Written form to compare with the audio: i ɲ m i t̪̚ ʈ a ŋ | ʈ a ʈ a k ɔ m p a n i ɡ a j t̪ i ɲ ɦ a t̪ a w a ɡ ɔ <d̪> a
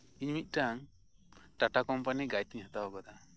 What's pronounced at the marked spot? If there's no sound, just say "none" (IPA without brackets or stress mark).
d̪